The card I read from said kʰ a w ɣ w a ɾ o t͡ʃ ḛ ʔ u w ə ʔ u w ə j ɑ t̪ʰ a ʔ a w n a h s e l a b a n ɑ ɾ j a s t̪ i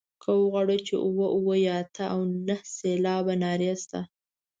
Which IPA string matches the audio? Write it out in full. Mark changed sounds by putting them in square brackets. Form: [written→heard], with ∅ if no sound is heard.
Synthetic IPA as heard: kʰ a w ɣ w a [ɾ→ɽ] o t͡ʃ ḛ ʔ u w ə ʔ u w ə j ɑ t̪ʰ a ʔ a w n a h s e l [a→ɑ] b a n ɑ ɾ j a s t̪ [i→a]